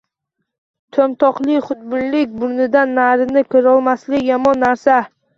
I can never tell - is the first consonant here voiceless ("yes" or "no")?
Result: yes